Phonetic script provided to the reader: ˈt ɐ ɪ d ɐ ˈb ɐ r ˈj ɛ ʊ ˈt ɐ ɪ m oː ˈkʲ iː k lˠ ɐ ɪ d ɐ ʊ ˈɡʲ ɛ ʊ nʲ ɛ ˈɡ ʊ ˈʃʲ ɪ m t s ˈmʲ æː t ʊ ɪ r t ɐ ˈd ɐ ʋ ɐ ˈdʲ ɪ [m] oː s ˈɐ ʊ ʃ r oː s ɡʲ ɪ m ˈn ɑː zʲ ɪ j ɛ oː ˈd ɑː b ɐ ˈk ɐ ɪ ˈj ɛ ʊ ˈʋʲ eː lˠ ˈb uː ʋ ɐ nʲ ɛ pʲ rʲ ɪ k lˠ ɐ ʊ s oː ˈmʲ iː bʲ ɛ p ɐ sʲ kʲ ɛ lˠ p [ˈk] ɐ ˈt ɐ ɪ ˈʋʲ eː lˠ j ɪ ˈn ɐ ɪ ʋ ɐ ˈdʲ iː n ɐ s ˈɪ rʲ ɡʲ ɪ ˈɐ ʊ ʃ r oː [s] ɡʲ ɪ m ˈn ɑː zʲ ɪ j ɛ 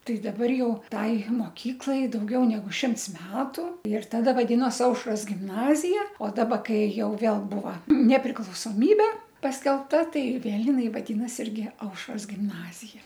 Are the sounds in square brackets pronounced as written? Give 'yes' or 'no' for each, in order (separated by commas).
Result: no, no, yes